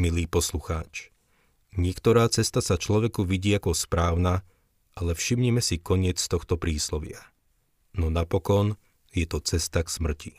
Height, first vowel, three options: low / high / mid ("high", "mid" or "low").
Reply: high